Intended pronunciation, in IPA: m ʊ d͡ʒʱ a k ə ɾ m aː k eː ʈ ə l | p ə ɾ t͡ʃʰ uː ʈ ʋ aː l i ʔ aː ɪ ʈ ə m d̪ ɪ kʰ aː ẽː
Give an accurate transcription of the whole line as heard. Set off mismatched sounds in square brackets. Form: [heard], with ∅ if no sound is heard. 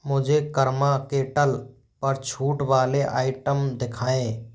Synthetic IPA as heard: m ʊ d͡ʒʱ [e] k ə ɾ m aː k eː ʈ ə l | p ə ɾ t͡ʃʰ uː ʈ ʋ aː l [e] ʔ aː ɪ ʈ ə m d̪ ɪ kʰ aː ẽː